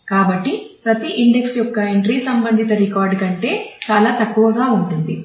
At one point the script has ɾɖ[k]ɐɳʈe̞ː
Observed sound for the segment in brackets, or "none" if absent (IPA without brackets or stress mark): k